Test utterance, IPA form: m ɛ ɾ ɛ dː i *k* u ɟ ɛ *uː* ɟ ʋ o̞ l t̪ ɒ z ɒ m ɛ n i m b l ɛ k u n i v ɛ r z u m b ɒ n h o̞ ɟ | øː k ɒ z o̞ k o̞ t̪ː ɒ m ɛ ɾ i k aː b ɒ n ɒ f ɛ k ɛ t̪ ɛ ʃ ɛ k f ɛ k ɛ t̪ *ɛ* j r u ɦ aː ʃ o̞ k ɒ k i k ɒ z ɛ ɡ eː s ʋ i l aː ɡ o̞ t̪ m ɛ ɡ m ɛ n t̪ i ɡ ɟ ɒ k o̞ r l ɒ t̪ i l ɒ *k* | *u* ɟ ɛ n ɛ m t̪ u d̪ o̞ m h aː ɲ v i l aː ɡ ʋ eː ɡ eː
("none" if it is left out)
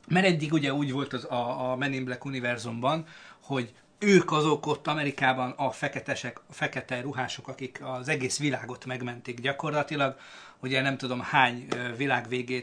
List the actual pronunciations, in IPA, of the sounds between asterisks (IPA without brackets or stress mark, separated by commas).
ɡ, uː, ɛ, ɡ, u